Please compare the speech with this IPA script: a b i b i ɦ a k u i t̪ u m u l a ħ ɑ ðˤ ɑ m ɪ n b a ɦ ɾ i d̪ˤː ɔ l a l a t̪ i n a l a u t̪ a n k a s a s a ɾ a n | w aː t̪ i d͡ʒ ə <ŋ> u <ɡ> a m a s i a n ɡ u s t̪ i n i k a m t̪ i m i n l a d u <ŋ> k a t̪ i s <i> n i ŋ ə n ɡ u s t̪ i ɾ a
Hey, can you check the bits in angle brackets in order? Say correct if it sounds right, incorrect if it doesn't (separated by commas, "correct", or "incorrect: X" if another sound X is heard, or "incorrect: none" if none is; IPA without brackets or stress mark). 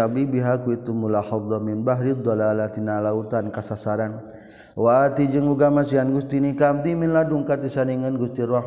correct, correct, correct, incorrect: a